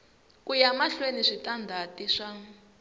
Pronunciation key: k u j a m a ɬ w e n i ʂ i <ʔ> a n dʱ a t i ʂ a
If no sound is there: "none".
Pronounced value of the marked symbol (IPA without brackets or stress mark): t